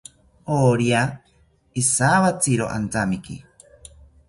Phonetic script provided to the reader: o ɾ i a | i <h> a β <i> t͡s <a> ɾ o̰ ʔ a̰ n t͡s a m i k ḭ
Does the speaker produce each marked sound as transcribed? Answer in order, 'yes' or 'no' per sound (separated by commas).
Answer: no, no, no